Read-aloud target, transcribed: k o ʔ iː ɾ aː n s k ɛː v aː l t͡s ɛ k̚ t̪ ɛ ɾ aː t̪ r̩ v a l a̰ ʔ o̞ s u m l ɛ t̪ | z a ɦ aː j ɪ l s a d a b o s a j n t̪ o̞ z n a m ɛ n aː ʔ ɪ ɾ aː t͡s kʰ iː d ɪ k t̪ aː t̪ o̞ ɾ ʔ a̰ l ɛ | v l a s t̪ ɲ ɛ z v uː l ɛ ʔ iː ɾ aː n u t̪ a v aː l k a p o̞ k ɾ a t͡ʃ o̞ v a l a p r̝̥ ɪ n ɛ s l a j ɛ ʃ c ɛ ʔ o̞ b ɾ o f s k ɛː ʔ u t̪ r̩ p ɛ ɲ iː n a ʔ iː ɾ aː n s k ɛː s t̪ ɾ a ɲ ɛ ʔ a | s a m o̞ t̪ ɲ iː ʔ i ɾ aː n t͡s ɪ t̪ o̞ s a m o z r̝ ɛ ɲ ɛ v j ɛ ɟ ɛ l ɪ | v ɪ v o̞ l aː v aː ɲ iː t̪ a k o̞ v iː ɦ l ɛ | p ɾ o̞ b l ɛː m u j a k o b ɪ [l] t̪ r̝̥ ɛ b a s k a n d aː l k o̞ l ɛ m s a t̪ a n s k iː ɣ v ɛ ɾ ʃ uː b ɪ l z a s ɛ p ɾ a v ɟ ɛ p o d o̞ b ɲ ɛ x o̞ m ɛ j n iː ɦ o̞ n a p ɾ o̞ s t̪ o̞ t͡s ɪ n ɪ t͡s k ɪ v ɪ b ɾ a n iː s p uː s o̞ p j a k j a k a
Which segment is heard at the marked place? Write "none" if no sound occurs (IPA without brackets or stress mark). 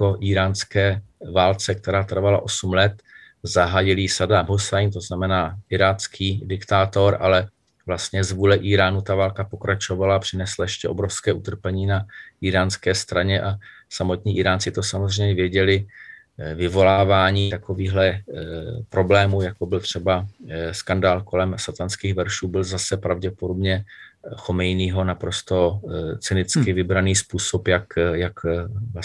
l